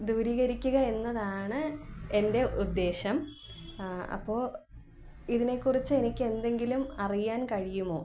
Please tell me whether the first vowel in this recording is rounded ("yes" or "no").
yes